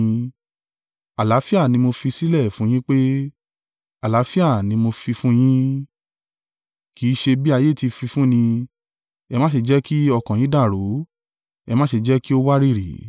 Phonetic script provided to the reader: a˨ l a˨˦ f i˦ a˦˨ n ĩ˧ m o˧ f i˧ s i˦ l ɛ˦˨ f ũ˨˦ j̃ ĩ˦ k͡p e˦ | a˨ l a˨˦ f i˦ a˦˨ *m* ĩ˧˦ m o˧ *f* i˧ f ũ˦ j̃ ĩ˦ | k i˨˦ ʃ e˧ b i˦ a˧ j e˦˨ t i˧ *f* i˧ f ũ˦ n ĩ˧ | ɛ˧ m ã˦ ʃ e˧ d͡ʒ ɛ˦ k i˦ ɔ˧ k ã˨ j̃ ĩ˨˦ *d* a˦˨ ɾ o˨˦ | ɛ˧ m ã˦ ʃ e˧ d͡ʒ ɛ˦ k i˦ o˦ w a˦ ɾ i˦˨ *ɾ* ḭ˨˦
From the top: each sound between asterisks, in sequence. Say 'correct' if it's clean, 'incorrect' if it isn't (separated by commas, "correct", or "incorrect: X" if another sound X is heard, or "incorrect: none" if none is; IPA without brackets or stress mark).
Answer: incorrect: n, correct, correct, correct, correct